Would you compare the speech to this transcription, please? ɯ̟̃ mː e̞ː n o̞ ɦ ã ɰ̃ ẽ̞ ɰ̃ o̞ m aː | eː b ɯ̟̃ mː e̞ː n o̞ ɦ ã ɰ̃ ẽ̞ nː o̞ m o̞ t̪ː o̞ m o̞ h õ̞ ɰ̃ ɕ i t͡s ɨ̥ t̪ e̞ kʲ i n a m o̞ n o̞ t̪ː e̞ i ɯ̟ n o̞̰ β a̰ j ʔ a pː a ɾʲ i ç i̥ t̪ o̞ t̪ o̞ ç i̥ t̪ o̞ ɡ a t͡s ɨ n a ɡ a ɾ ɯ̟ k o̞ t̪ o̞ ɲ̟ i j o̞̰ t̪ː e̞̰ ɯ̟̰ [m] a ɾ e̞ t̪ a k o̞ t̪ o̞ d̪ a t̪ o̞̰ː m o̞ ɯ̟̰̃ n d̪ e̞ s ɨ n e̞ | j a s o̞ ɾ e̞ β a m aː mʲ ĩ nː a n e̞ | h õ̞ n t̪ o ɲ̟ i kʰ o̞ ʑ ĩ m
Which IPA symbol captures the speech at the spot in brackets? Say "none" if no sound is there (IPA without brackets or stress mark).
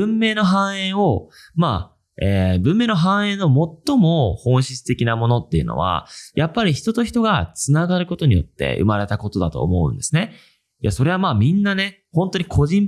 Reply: m